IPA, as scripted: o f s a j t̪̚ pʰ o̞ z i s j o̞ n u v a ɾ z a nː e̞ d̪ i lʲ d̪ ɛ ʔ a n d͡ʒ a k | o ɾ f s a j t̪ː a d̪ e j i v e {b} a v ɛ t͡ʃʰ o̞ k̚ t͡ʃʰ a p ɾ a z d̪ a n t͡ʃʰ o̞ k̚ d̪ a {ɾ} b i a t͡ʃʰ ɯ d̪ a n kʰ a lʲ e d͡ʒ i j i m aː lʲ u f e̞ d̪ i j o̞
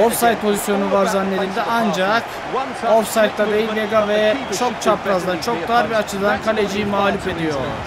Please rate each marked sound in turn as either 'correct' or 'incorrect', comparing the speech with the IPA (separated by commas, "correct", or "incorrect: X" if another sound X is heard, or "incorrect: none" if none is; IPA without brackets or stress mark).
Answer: incorrect: ɡ, correct